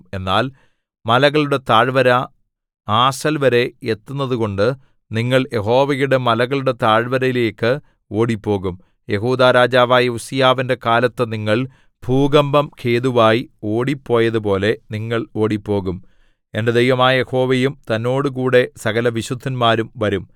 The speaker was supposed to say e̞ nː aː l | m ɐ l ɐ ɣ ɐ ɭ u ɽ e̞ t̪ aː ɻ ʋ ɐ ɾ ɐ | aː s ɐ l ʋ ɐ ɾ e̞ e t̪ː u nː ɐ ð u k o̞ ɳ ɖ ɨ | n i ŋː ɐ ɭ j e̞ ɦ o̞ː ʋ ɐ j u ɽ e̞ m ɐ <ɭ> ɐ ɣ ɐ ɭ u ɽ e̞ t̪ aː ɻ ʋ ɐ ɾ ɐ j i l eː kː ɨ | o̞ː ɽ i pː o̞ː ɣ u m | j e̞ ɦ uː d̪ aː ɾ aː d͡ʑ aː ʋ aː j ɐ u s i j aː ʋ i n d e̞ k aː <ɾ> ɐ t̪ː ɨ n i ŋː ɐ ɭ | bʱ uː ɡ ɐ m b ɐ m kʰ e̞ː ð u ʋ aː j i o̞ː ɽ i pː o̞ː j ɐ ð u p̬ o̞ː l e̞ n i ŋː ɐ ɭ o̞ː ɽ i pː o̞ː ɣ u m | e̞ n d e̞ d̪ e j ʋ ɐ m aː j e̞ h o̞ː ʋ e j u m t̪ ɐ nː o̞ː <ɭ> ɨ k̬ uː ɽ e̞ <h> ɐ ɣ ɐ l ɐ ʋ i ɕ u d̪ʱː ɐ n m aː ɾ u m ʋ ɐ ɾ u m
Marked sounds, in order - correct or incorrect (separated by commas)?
incorrect, incorrect, incorrect, incorrect